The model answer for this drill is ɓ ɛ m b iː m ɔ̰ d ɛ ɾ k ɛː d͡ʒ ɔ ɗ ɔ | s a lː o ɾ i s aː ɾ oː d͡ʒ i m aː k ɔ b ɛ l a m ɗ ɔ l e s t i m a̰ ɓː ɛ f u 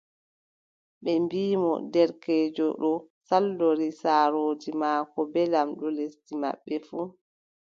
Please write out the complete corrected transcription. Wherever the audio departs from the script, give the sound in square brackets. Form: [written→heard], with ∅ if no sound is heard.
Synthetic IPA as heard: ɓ ɛ m b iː m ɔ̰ d ɛ ɾ k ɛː d͡ʒ ɔ ɗ ɔ | s a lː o ɾ i s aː ɾ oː d͡ʒ i m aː k ɔ b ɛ l a m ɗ ɔ l e s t i m a̰ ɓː ɛ f u